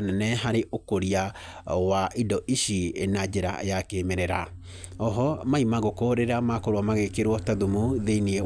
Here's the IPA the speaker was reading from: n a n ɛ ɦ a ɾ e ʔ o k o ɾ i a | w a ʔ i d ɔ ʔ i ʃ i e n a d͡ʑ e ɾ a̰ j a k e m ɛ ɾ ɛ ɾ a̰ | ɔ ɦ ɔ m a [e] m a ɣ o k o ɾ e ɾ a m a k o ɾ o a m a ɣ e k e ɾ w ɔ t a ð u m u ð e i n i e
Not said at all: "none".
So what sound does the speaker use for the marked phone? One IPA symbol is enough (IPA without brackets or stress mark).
i